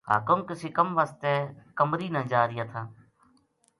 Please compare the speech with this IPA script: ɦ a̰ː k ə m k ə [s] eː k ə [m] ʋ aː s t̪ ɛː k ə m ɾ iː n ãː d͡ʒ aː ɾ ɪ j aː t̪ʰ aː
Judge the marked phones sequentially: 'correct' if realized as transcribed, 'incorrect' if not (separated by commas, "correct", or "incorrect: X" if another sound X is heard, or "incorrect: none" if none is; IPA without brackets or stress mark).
correct, correct